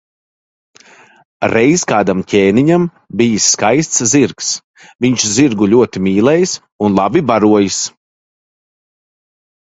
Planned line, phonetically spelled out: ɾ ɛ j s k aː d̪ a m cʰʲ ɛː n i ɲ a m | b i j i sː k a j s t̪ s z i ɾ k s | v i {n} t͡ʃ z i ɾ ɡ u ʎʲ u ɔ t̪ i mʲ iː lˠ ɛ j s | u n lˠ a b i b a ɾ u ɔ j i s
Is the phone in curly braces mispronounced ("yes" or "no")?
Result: yes